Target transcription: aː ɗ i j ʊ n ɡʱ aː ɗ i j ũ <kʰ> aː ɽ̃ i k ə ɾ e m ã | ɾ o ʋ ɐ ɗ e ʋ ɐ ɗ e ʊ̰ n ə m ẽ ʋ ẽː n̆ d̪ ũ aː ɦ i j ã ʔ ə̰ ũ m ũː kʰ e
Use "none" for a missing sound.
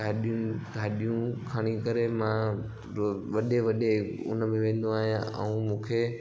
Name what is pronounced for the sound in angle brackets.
kʰ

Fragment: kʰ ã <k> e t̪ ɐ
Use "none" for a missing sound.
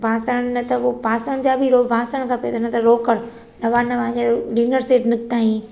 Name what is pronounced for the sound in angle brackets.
p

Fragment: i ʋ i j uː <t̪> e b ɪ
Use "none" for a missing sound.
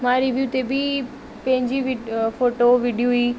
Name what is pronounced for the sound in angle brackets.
t̪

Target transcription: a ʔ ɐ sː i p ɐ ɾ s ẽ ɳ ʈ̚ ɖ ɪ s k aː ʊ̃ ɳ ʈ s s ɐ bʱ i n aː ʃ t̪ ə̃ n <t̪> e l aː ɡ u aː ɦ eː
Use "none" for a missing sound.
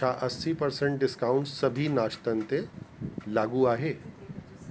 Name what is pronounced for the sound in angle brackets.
t̪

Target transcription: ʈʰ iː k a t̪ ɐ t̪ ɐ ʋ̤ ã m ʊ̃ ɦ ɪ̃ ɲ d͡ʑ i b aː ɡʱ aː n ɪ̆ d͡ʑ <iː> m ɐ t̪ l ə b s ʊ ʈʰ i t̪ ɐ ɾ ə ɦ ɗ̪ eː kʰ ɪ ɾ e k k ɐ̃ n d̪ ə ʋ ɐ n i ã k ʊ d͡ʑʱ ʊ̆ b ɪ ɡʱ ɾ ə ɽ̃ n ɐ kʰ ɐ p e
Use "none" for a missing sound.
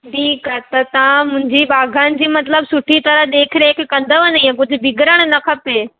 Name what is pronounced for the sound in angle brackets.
iː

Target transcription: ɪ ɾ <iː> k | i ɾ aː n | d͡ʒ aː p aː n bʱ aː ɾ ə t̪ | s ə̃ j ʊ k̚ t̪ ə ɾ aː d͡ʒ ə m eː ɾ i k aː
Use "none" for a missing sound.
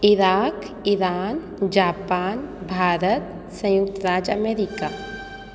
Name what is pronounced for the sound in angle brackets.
aː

